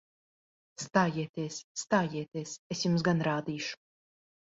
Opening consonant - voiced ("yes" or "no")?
no